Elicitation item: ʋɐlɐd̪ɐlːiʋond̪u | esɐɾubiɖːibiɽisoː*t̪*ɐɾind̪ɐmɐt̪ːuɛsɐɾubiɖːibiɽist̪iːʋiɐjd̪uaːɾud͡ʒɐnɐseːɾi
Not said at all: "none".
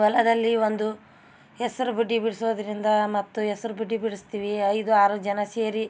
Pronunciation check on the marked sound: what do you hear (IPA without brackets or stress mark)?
d̪